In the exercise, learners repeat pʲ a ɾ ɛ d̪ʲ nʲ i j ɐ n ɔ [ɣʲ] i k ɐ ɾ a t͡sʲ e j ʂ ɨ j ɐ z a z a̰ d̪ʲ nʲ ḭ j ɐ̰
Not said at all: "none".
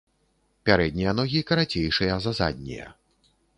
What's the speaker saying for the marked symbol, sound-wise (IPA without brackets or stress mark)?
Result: ɣʲ